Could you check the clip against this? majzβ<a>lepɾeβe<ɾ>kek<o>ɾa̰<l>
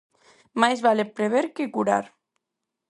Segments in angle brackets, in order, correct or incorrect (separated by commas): correct, correct, incorrect, incorrect